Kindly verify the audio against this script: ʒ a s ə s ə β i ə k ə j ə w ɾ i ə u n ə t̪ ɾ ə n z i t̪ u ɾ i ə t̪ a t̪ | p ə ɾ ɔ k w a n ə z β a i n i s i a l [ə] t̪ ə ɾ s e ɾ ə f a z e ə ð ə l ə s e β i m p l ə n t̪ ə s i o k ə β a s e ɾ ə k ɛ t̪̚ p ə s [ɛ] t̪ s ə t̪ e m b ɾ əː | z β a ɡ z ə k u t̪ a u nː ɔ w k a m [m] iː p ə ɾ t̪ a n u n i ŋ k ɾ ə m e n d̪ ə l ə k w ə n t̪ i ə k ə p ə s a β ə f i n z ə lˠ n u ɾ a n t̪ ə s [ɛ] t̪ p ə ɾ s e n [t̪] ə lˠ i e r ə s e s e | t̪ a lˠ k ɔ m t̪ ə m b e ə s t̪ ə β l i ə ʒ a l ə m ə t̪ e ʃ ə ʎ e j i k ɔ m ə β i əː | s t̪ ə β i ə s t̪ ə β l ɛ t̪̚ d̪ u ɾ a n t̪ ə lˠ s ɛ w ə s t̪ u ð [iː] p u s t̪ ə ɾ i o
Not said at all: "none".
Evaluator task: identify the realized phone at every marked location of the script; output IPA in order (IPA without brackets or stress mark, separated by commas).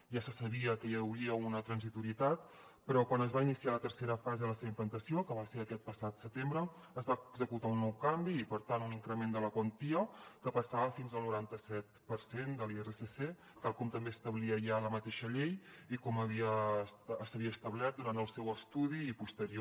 ə, a, b, ɛ, d̪, iː